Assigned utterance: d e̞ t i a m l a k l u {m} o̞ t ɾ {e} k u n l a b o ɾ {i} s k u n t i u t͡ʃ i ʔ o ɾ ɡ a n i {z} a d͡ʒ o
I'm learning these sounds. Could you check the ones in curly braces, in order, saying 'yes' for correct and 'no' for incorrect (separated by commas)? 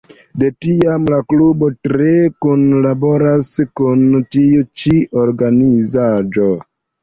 no, yes, no, yes